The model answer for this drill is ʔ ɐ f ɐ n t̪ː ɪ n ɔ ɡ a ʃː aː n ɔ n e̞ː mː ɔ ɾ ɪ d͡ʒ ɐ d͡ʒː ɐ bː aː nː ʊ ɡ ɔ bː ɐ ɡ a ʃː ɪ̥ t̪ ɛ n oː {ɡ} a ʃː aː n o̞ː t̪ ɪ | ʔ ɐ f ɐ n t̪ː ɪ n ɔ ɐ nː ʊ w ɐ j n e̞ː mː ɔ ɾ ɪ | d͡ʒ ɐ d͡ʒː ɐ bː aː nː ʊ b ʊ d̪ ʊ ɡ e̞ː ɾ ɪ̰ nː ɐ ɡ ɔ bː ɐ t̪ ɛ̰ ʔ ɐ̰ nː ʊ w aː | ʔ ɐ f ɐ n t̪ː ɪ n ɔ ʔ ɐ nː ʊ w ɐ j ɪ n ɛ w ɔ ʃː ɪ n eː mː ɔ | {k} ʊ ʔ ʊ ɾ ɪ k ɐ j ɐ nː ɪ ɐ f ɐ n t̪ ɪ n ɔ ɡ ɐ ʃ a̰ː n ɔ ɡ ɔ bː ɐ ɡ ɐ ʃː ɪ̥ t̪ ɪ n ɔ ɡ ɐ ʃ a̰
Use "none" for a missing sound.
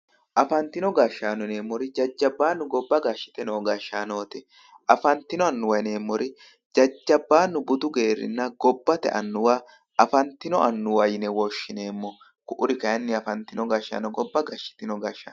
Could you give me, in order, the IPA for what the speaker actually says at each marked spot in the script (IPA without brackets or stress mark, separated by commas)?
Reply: ɡ, k